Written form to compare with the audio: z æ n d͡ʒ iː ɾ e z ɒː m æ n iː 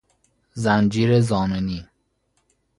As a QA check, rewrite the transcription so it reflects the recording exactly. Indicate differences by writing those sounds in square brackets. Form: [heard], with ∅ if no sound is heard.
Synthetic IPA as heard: z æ n d͡ʒ iː ɾ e z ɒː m [e] n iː